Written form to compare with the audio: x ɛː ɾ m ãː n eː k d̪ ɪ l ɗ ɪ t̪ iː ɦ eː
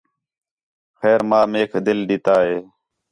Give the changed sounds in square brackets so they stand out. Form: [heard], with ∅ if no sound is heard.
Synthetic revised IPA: x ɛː ɾ m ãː [m] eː k d̪ ɪ l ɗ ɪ t̪ [aː] ɦ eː